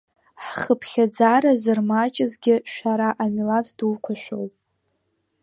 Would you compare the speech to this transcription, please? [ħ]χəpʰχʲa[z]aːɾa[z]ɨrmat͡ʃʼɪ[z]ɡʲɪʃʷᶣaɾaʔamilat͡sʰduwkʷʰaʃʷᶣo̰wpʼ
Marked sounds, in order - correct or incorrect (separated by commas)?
correct, incorrect, correct, correct